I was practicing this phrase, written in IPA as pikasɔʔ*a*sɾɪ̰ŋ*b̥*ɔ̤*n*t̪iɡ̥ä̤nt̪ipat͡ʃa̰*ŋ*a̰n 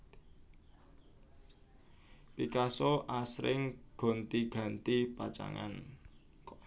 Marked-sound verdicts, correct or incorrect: correct, incorrect: ɡ̥, correct, correct

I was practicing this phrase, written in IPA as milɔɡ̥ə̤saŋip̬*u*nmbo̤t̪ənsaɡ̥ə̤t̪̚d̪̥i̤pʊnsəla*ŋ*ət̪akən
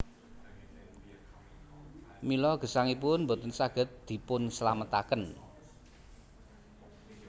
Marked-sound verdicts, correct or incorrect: incorrect: ʊ, incorrect: m

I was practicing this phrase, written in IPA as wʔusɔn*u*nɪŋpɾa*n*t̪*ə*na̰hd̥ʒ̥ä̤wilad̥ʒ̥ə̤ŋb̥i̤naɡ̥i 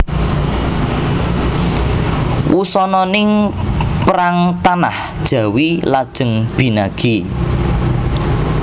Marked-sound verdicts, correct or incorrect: incorrect: ɔ, incorrect: ŋ, incorrect: a

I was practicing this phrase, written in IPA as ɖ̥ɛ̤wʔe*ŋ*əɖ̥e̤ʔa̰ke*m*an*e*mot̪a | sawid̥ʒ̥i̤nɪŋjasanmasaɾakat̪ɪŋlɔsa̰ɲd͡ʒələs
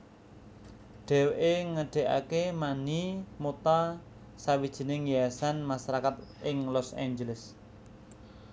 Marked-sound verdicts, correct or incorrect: correct, correct, incorrect: i

